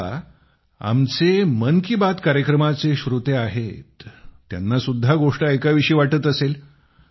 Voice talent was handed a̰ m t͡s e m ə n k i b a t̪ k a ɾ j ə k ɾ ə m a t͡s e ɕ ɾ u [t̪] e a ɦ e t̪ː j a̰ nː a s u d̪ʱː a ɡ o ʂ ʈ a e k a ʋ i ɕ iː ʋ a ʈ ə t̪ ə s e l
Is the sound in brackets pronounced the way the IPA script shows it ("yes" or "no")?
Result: yes